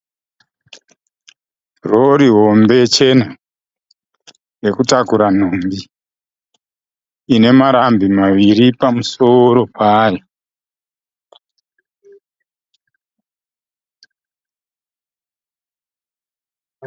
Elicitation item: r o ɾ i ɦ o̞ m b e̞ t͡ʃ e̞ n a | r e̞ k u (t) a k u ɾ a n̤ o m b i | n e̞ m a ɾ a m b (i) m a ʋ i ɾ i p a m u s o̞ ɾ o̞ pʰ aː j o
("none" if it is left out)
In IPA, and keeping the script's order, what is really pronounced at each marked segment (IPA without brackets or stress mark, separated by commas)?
t, i